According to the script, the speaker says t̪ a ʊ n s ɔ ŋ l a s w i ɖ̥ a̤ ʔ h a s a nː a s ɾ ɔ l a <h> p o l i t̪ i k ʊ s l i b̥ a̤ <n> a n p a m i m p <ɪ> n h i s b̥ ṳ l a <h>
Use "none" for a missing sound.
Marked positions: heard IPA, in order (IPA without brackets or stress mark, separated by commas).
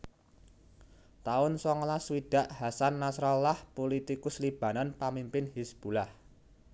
h, n, ɪ, h